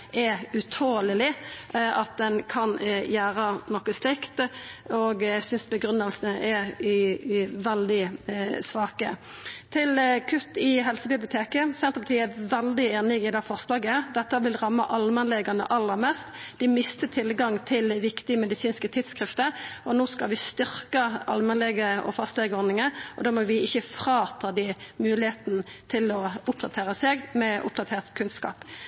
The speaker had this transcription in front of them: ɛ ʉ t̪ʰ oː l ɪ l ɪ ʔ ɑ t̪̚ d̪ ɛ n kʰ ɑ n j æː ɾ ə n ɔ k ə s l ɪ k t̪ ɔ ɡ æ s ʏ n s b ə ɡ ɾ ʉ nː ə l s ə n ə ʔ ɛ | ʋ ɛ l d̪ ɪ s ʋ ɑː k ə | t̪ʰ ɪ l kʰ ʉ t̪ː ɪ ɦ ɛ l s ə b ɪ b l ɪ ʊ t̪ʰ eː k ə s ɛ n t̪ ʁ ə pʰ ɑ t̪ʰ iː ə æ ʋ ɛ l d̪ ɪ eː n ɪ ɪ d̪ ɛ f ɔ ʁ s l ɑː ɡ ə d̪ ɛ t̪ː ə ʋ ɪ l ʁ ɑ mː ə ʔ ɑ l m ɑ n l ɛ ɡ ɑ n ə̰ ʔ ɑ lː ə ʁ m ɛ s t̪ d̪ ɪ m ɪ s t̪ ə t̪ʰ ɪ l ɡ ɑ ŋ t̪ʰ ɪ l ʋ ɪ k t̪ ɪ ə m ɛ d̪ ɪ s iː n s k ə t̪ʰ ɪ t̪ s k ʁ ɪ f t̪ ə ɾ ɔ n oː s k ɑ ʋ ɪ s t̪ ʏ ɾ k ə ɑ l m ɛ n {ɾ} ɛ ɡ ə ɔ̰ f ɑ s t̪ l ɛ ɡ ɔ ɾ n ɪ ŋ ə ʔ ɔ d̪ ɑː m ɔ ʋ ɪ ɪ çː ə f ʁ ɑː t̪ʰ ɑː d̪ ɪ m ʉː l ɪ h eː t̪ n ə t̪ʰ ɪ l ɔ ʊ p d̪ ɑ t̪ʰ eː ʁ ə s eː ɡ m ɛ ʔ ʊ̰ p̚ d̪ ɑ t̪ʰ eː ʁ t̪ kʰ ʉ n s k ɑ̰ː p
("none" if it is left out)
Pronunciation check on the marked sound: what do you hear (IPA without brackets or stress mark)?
l